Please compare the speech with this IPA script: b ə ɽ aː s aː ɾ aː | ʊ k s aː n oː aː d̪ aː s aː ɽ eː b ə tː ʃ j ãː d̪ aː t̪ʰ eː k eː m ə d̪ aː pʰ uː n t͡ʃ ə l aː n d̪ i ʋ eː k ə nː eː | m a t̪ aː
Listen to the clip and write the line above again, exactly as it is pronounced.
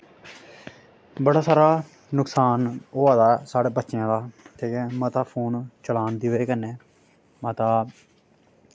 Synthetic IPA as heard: b ə ɽ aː s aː ɾ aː | ʊ k s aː n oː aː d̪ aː s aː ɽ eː b ə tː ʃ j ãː d̪ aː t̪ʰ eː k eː m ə t̪ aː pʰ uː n t͡ʃ ə l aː n d̪ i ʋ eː k ə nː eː | m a t̪ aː

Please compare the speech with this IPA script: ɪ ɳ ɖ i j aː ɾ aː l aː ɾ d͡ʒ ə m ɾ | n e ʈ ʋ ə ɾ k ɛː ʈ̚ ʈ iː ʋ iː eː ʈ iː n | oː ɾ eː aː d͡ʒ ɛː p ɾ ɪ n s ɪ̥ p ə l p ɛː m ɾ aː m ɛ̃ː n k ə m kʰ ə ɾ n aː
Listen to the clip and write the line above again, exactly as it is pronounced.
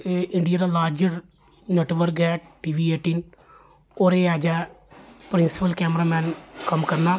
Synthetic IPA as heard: ɪ ɳ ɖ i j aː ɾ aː l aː ɾ d͡ʒ ə ɾ | n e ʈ ʋ ə ɾ k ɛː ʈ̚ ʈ iː ʋ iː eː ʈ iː n | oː ɾ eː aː d͡ʒ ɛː p ɾ ɪ n s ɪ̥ p ə l k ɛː m ɾ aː m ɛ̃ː n k ə m k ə ɾ n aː

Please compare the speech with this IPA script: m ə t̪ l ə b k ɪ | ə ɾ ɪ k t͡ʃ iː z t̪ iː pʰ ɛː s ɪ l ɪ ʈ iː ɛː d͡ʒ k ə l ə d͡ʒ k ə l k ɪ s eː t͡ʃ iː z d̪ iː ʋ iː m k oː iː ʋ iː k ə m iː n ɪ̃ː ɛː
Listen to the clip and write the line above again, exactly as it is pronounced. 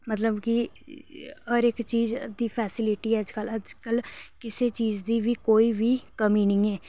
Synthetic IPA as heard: m ə t̪ l ə b k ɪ | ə ɾ ɪ k t͡ʃ iː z d̪ iː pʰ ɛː s ɪ l ɪ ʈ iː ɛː d͡ʒ k ə l ə d͡ʒ k ə l k ɪ s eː t͡ʃ iː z d̪ iː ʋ iː k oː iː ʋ iː k ə m iː n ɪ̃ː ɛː

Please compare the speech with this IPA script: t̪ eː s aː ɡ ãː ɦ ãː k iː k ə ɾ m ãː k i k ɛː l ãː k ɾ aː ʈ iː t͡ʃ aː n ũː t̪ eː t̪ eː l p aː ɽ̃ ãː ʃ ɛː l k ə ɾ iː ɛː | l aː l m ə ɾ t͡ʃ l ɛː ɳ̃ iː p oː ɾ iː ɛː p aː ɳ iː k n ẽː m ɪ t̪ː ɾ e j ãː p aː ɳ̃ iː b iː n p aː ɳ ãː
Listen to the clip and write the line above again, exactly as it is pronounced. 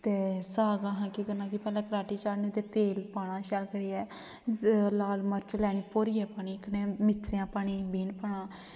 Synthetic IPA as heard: t̪ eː s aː ɡ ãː ɦ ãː k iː k ə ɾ n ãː k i p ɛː l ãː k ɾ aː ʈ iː t͡ʃ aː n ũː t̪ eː t̪ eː l p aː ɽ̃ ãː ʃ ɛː l k ə ɾ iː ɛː | l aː l m ə ɾ t͡ʃ l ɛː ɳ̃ iː p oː ɾ iː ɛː p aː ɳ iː k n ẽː m ɪ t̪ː ɾ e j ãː p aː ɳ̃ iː b iː n p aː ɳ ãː

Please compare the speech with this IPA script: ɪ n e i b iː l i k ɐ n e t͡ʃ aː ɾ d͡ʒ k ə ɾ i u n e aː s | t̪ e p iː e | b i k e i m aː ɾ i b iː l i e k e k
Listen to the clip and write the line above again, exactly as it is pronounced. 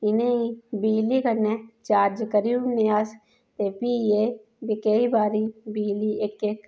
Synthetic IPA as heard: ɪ n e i b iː l i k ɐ n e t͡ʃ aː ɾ d͡ʒ k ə ɾ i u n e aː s | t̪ e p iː e | b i k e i b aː ɾ i b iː l i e k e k

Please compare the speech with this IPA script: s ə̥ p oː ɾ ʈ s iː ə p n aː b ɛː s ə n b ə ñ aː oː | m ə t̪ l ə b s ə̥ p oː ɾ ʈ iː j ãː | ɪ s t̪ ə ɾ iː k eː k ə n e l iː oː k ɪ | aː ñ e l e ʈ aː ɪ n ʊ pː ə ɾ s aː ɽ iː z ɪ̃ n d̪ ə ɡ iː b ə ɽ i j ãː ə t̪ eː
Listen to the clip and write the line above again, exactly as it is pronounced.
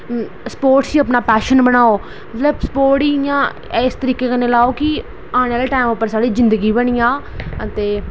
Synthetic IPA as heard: s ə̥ p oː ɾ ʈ s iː ə p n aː p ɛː ʃ ə n b ə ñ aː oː | m ə t̪ l ə b s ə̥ p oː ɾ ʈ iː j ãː | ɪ s t̪ ə ɾ iː k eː k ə n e l aː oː k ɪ | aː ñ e l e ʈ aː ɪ m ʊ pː ə ɾ s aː ɽ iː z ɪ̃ n d̪ ə ɡ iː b ə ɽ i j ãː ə t̪ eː

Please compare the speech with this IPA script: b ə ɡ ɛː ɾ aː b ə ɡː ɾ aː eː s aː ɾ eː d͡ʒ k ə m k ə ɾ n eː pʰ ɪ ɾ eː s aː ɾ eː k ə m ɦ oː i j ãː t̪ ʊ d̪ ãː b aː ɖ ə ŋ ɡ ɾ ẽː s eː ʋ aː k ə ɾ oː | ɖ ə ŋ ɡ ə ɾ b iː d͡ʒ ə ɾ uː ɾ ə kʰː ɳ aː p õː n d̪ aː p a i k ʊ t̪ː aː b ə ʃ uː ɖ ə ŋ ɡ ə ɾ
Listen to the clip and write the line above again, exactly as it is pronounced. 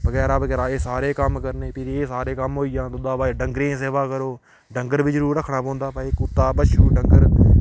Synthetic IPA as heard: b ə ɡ ɛː ɾ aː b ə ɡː ɾ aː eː s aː ɾ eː k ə m k ə ɾ n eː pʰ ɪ ɾ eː s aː ɾ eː k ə m ɦ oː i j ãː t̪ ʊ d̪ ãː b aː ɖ ə ŋ ɡ ɾ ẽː s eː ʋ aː k ə ɾ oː | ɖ ə ŋ ɡ ə ɾ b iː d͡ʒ ə ɾ uː ɾ ə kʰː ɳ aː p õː n d̪ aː p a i k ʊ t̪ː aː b ə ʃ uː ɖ ə ŋ ɡ ə ɾ

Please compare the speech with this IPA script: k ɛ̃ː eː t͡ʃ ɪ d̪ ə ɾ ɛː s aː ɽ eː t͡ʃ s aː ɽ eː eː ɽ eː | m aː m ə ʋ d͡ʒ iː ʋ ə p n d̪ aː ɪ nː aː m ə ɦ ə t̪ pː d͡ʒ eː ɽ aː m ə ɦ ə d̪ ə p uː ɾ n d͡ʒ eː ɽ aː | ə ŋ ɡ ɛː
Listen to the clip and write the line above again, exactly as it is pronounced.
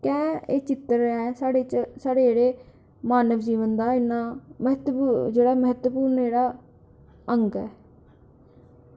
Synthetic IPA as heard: k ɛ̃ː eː t͡ʃ ɪ t̪ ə ɾ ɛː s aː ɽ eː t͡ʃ s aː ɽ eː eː ɽ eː | m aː n ə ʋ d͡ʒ iː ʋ ə n d̪ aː ɪ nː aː m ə ɦ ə t̪ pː d͡ʒ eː ɽ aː m ə ɦ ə t̪ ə p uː ɾ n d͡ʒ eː ɽ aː | ə ŋ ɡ ɛː

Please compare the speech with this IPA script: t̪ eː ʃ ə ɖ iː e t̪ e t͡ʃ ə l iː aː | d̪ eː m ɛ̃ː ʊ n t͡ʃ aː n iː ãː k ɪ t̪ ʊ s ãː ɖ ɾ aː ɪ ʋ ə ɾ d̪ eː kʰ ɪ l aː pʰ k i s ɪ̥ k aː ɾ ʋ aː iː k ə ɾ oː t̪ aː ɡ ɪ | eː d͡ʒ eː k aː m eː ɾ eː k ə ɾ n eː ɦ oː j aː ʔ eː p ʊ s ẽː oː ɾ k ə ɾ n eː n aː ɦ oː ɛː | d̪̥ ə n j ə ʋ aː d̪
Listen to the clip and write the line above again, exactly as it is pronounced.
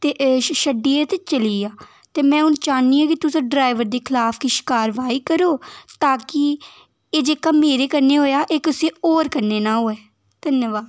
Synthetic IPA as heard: t̪ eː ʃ ə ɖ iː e t̪ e t͡ʃ ə l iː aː | t̪ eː m ɛ̃ː ʊ n t͡ʃ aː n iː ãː k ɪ t̪ ʊ s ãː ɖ ɾ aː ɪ ʋ ə ɾ d̪ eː kʰ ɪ l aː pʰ k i ʃ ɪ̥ k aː ɾ ʋ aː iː k ə ɾ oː t̪ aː k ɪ | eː d͡ʒ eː k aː m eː ɾ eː k ə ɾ n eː ɦ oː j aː ʔ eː k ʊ s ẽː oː ɾ k ə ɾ n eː n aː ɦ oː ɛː | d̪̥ ə n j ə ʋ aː d̪

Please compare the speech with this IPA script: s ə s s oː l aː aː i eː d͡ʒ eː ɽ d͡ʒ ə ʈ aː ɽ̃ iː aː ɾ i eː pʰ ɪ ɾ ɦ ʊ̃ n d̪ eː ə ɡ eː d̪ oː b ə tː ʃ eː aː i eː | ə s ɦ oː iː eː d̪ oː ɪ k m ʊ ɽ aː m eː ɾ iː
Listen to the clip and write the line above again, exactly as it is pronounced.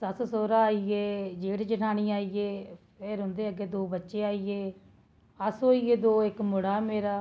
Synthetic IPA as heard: s ə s s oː ɾ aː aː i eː d͡ʒ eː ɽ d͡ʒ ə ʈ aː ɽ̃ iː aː i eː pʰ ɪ ɾ ɦ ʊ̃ n d̪ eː ə ɡ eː d̪ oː b ə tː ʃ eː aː i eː | ə s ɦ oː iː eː d̪ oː ɪ k m ʊ ɽ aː m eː ɾ aː

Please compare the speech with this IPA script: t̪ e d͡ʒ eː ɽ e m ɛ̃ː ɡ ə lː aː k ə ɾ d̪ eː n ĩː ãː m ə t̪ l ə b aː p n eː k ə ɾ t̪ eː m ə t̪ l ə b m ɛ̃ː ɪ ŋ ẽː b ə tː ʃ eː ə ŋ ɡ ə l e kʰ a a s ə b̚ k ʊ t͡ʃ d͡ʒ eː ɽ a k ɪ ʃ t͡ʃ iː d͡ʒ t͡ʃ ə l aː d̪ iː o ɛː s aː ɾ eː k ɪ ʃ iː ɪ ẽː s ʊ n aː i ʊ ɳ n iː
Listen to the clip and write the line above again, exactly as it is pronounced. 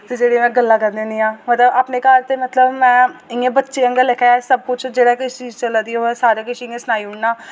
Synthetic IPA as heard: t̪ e d͡ʒ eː ɽ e m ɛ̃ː ɡ ə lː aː k ə ɾ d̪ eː n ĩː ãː m ə t̪ l ə b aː p n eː k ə ɾ t̪ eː m ə t̪ l ə b m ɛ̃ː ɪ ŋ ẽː b ə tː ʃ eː ə ŋ ɡ ə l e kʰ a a s ə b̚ k ʊ t͡ʃ d͡ʒ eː ɽ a k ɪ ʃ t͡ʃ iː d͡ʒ t͡ʃ ə l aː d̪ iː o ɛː s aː ɾ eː k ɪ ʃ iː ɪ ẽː s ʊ n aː i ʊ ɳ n aː

